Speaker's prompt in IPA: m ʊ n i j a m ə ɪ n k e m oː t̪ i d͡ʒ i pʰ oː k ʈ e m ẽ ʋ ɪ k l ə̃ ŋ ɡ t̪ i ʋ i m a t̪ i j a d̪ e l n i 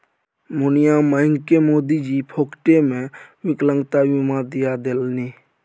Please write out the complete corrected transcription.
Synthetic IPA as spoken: m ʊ n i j a m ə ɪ ŋ k e m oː d̪ i d͡ʒ i pʰ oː k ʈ e m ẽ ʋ ɪ k l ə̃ ŋ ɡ t̪ a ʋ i m a d̪ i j a d̪ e l n i